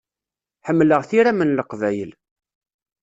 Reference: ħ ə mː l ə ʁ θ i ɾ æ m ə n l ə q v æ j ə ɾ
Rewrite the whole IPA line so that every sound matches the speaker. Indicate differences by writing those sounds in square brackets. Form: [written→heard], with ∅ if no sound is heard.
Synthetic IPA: ħ ə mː l ə ʁ θ i ɾ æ m ə n l ə q v æ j ə [ɾ→l]